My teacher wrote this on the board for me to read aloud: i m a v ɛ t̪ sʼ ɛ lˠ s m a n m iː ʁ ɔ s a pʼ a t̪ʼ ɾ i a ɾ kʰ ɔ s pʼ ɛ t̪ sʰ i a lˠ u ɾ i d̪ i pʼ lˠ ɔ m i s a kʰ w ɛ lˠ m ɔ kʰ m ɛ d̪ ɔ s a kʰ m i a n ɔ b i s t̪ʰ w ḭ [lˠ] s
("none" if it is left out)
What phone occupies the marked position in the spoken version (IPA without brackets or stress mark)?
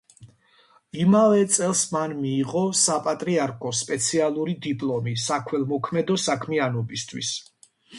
none